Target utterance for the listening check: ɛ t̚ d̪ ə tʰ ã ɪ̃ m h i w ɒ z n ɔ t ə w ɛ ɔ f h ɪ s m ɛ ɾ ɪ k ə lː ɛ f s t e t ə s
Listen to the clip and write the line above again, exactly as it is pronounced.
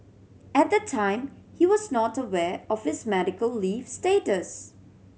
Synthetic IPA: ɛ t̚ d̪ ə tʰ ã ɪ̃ m h i w ɔ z n ɔ t ə w ɛ ɔ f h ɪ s m ɛ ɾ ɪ k ə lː i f s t e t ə s